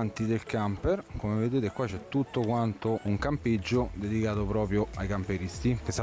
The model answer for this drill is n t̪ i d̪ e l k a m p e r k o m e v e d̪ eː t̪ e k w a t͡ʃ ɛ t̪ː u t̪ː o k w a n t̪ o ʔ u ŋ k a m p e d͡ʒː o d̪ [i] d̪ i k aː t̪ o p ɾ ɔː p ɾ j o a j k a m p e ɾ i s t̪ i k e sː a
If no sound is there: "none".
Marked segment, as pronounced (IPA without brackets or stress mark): e